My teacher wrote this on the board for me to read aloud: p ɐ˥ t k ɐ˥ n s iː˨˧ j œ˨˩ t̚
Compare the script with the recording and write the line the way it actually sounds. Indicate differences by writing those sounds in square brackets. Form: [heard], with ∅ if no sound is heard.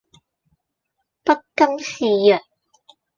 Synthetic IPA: p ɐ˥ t k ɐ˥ [m] s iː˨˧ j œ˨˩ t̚